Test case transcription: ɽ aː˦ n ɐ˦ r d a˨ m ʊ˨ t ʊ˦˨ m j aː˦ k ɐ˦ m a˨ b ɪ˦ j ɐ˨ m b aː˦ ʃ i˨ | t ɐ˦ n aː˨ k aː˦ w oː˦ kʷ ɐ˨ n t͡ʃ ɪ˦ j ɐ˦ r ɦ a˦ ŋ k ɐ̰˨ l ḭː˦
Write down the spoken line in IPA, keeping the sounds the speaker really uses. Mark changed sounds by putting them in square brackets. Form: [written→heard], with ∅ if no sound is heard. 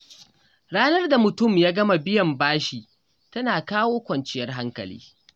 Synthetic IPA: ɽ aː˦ n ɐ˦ r d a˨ m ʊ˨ t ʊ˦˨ m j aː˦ [k→ɡ] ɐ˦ m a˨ b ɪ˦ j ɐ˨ m b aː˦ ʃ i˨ | t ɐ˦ n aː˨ k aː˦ w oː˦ kʷ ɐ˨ n t͡ʃ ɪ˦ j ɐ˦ r ɦ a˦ ŋ k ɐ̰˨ l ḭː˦